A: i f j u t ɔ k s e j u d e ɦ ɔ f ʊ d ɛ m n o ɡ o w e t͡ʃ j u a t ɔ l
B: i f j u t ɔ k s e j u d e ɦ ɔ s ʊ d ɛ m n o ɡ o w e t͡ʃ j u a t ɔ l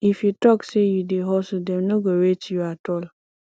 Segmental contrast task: B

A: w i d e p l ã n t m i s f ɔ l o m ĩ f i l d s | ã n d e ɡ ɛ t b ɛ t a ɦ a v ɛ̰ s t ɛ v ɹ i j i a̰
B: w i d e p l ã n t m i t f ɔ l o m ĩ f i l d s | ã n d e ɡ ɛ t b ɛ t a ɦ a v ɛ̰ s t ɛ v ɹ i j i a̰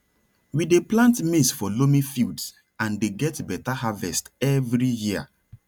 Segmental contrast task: A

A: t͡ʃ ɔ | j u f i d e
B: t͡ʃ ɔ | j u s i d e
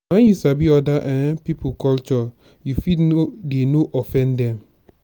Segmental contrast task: A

